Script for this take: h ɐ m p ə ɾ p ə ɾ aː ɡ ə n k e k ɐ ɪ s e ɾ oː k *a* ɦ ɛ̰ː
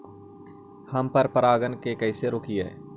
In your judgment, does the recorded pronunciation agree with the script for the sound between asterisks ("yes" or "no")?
no